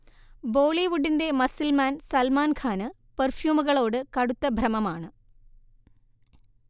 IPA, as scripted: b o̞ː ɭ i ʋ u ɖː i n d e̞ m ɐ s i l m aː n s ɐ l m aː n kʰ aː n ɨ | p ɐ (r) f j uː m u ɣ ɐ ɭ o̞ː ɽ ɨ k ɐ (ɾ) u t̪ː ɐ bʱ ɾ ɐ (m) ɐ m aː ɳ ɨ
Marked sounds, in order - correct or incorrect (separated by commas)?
correct, incorrect, correct